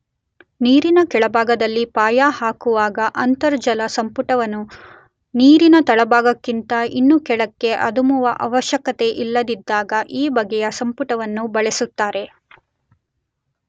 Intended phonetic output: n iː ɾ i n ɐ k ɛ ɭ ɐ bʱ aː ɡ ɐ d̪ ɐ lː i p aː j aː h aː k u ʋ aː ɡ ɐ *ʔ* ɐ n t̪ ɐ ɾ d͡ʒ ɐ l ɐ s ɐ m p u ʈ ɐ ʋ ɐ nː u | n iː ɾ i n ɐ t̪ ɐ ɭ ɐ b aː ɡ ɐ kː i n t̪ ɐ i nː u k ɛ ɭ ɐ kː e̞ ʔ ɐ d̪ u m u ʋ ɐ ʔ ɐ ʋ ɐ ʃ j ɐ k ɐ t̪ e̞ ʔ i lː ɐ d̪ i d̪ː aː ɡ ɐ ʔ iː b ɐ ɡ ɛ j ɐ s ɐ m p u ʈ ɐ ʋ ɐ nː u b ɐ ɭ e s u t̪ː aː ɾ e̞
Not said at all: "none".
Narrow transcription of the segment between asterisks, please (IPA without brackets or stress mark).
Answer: ʔ